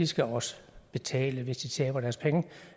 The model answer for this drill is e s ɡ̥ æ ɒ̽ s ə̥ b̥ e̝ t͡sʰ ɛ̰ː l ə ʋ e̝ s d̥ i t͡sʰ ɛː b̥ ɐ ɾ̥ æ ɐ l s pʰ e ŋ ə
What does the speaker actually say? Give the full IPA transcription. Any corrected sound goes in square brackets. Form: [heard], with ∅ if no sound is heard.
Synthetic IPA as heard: [i] s ɡ̥ æ ɒ̽ s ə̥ b̥ e̝ t͡sʰ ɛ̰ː l ə ʋ e̝ s d̥ i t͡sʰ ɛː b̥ ɐ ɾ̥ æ ɐ [∅] s pʰ e ŋ ə